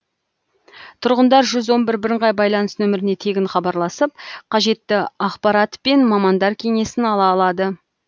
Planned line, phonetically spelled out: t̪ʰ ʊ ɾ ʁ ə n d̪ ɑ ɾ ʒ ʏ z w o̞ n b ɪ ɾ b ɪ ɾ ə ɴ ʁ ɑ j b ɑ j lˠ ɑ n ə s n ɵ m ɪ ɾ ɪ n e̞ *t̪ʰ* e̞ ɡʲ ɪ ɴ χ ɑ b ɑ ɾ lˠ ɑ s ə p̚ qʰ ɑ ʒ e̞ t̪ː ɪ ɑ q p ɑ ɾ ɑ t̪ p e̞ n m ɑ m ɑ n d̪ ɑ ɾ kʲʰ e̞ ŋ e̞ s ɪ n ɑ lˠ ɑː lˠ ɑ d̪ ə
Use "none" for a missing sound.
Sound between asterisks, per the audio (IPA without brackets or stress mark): t̪ʰ